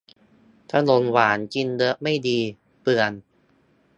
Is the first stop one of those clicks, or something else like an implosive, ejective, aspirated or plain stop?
aspirated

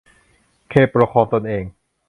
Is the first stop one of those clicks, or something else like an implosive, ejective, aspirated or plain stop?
aspirated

